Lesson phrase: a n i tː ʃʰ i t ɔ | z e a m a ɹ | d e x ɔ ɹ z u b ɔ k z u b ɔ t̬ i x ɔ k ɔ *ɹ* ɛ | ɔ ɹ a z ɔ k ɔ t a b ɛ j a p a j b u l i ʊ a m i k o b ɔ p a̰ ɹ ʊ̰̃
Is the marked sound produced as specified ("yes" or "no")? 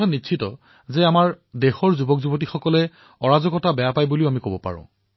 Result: no